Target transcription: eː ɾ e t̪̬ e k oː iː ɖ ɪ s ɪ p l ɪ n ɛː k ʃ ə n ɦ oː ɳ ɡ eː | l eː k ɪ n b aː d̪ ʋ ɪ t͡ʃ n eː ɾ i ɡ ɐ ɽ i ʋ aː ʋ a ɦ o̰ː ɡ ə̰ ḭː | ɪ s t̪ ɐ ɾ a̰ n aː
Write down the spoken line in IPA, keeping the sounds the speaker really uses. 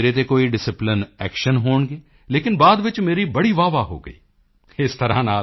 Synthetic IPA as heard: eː ɾ e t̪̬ e k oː i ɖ ɪ s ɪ p l ɪ n ɛː k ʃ ə n ɦ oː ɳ ɡ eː | l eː k ɪ n b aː d̪ ʋ ɪ t͡ʃ m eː ɾ i b ɐ ɽ i ʋ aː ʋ a ɦ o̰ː ɡ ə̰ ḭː | ɪ s t̪ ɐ ɾ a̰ n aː